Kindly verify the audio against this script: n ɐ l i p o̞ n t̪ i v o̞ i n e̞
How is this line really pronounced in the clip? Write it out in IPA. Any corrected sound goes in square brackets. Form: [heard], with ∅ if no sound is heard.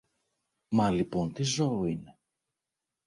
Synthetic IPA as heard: [m] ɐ l i p o̞ n t̪ i [z] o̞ i n e̞